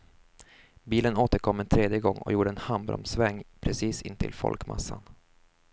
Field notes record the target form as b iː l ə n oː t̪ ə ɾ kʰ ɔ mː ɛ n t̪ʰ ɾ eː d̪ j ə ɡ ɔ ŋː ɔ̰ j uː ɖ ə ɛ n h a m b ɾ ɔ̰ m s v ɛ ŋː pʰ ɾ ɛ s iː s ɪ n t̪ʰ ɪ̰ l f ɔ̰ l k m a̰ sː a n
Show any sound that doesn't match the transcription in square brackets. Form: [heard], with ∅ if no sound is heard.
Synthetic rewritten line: b iː l ə n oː t̪ ə ɾ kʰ ɔ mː ɛ n t̪ʰ ɾ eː d̪ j ə ɡ ɔ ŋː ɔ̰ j uː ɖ ə ɛ n h a m b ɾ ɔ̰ m s v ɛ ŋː pʰ ɾ ɛ s iː s ɪ n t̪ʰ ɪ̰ l f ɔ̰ l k m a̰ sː a n